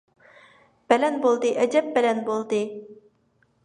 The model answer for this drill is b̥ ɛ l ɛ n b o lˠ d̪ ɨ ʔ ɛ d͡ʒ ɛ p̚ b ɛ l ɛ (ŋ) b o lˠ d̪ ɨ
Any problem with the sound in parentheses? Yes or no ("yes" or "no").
yes